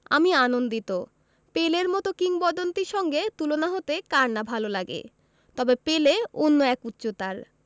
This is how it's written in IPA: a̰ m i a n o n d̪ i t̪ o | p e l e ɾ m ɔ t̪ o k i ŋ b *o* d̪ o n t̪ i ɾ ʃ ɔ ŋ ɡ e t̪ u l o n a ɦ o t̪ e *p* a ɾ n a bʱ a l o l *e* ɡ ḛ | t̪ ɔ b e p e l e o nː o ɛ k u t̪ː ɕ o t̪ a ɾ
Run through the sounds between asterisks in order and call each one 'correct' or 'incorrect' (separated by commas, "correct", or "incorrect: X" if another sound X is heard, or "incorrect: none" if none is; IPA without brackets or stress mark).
incorrect: ɔ, incorrect: k, incorrect: a